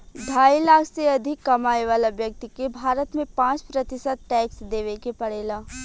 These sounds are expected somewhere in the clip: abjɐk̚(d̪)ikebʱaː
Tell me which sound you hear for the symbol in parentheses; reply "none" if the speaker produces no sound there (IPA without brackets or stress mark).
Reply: t̪